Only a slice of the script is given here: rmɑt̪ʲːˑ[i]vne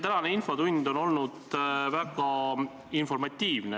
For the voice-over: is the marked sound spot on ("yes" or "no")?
no